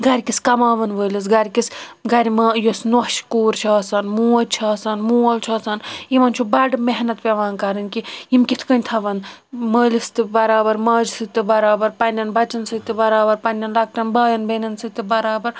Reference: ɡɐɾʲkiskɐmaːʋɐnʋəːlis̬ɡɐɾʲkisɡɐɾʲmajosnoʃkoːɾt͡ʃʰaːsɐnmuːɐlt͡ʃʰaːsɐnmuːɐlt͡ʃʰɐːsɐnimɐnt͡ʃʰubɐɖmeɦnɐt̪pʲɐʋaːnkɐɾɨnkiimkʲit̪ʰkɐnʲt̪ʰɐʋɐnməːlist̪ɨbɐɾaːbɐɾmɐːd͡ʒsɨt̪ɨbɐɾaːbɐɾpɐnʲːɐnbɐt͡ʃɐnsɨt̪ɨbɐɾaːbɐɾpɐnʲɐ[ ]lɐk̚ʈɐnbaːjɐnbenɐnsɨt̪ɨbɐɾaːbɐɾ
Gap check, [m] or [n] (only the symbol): n